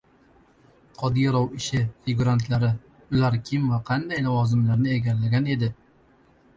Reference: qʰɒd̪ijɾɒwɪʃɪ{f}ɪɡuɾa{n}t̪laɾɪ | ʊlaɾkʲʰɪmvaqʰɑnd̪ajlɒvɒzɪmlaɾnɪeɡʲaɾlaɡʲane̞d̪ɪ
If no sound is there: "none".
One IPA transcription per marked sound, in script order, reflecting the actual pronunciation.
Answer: f, n

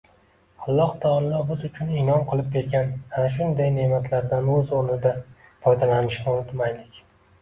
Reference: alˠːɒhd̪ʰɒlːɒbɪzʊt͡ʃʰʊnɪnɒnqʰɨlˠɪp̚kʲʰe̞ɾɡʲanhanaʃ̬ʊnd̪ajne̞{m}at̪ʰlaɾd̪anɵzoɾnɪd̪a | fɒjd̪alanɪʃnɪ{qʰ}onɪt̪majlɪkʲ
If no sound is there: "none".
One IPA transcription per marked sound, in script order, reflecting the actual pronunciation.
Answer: m, none

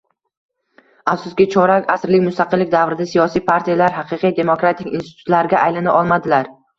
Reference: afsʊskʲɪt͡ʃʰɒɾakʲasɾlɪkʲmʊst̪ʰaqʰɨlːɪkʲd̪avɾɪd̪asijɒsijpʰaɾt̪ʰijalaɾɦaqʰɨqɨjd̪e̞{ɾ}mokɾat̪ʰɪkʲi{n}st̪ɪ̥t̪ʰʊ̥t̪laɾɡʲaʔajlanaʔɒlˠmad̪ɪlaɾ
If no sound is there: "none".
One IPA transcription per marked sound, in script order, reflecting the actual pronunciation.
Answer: none, n

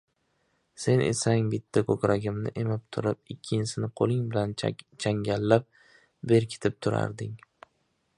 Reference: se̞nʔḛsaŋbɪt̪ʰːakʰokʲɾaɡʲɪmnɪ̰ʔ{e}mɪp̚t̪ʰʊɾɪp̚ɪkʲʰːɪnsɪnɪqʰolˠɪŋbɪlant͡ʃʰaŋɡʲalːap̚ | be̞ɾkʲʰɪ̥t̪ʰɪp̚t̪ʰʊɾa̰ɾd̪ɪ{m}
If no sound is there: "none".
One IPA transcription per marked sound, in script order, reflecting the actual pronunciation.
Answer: e, ŋ

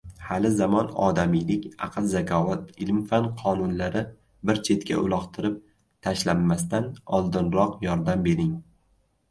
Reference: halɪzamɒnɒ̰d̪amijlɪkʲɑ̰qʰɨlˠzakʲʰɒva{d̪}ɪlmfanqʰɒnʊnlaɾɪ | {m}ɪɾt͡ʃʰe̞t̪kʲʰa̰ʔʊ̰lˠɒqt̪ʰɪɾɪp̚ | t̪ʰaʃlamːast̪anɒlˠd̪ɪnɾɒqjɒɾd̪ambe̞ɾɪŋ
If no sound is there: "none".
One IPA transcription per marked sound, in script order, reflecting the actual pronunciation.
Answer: t̪, b

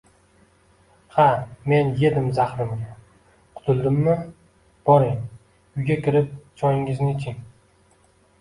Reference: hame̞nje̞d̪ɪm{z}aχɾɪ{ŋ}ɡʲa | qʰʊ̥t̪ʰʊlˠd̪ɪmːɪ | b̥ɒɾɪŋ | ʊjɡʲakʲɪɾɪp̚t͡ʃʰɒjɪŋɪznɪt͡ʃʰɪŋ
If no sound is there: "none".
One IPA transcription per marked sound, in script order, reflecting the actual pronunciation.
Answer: z, m

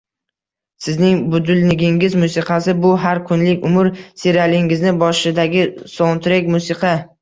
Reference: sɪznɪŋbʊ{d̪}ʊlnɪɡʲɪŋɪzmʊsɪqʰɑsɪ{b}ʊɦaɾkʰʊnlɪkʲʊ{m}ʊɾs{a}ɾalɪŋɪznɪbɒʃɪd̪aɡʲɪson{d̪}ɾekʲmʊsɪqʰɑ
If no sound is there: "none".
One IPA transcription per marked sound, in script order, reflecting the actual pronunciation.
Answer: d̪, b, m, e, t̪

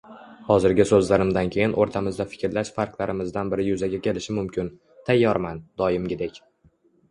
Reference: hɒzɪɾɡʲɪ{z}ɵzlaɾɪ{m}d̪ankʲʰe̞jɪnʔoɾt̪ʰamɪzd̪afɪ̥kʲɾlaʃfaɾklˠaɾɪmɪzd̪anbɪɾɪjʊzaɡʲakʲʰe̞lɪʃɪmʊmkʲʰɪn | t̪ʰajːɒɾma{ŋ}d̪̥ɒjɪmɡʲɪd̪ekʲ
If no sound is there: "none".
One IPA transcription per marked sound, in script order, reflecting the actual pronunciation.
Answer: s, m, n

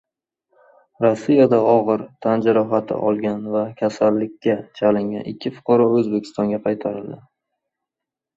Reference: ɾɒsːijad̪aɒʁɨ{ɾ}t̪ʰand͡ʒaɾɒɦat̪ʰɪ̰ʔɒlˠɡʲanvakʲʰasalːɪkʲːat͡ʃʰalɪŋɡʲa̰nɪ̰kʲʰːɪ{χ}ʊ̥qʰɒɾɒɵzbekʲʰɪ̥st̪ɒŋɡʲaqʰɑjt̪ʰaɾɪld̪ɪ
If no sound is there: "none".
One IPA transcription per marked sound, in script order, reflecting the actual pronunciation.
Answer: ɾ, f

